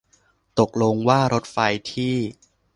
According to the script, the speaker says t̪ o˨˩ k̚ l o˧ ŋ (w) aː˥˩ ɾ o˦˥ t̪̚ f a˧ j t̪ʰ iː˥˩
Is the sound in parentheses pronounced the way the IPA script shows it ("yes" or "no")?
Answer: yes